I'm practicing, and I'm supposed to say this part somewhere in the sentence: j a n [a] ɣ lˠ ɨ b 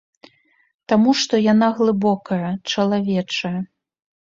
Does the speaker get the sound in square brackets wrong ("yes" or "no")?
no